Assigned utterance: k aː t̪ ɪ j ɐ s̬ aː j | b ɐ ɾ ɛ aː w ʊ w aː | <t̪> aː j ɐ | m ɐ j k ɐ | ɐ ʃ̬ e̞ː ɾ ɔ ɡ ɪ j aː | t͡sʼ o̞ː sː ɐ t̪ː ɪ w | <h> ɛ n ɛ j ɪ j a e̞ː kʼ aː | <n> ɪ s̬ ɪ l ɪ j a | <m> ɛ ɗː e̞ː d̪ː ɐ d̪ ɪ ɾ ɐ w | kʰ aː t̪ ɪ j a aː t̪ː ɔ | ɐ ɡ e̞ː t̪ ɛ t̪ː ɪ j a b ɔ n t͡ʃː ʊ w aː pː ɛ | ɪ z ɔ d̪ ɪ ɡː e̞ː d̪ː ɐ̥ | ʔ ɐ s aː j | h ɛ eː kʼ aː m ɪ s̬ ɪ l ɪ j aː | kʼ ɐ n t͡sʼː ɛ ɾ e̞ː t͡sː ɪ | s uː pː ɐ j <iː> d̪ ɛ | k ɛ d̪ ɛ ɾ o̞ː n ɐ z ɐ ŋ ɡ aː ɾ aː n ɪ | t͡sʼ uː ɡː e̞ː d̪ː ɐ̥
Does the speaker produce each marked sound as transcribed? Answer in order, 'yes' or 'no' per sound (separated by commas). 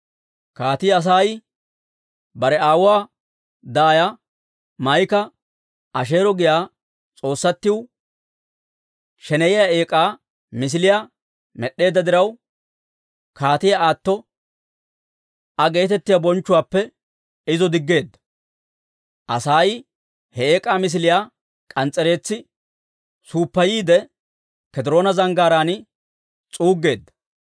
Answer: no, no, no, yes, yes